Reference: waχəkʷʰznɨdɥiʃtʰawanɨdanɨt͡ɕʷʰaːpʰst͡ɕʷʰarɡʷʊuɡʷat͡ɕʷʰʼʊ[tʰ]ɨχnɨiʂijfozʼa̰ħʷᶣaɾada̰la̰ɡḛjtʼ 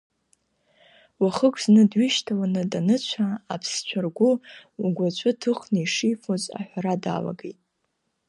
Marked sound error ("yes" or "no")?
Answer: no